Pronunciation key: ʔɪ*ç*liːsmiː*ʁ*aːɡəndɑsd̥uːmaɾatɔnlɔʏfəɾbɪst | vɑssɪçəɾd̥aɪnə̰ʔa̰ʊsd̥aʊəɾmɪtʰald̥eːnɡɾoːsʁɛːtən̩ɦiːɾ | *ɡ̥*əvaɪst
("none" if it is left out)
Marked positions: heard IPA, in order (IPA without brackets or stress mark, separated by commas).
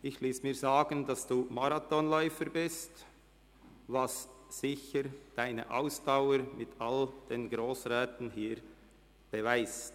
ç, z, b̥